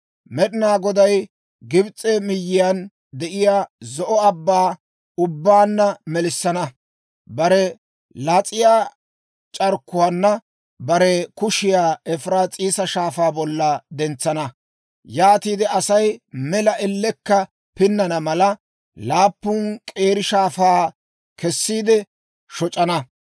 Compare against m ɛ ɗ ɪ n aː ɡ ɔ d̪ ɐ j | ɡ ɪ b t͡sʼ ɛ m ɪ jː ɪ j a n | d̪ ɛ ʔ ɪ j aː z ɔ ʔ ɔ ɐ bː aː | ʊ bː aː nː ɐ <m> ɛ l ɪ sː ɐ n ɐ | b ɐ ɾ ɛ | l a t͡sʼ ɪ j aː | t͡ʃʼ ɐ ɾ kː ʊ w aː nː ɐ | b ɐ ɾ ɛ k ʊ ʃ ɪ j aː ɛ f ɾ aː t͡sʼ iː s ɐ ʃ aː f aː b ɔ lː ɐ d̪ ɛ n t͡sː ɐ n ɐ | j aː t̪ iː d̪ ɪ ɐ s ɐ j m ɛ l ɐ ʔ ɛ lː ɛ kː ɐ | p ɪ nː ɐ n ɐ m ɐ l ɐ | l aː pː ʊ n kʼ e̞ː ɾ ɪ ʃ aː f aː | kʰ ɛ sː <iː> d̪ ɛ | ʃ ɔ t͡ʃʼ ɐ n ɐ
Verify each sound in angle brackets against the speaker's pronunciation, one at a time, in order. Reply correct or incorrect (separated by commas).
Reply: correct, correct